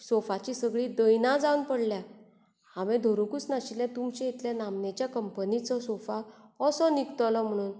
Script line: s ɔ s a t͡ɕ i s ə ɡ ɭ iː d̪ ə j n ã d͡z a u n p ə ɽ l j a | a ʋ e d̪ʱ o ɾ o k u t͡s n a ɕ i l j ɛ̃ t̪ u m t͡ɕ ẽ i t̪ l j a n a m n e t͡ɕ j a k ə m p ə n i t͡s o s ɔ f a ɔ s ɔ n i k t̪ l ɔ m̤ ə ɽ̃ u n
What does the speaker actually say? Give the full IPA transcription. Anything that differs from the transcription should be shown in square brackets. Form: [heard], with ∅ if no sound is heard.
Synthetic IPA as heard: s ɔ [f] a t͡ɕ i s ə ɡ ɭ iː d̪ ə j n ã d͡z a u n p ə ɽ l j a | a ʋ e d̪ʱ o ɾ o k u t͡s n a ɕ i l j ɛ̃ t̪ u m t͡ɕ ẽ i t̪ l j a n a m n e t͡ɕ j a k ə m p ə n i t͡s [ɔ] s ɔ f a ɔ s ɔ n i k t̪ l ɔ m̤ ə ɽ̃ [uː] n